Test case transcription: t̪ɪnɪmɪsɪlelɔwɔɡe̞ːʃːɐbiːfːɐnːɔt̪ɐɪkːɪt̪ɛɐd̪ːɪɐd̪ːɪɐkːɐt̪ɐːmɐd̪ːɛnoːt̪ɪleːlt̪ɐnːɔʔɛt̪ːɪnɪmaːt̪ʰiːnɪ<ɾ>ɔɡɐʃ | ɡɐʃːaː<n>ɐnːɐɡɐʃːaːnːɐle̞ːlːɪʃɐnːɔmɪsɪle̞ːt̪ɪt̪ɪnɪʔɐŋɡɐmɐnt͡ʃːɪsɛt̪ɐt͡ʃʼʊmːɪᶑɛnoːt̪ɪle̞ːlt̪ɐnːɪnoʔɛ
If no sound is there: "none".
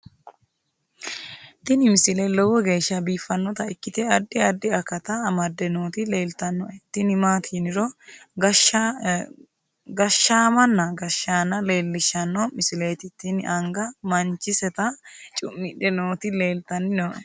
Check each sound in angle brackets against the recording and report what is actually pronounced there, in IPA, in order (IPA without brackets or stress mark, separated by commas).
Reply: ɾ, m